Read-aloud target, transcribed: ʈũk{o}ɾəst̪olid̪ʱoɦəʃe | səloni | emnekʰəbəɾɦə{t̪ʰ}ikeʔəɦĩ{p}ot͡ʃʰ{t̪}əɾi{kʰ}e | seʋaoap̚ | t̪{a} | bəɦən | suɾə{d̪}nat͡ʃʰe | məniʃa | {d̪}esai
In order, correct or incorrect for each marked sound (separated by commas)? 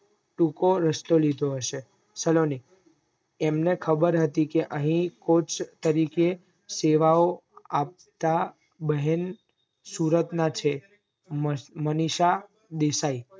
correct, incorrect, incorrect, correct, incorrect, correct, incorrect, correct